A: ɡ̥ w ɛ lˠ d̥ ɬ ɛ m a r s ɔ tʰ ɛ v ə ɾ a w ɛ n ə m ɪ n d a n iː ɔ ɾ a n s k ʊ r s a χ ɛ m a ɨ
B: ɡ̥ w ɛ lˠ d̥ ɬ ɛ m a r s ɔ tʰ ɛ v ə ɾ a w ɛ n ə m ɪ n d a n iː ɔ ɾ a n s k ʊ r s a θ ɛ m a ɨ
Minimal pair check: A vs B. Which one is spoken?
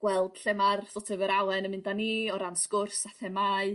B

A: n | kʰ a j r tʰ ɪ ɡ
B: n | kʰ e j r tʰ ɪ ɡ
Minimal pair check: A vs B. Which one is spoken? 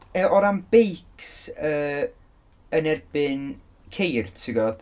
B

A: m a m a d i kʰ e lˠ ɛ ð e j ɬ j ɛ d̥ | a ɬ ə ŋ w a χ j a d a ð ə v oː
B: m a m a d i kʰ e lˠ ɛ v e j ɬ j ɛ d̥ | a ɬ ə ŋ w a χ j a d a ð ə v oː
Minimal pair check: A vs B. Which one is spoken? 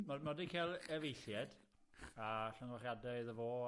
B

